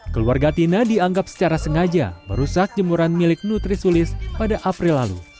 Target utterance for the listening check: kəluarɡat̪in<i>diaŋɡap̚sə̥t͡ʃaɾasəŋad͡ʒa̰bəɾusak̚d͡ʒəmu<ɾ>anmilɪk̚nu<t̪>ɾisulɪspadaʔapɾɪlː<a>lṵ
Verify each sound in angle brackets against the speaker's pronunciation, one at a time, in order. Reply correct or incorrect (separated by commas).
incorrect, correct, correct, correct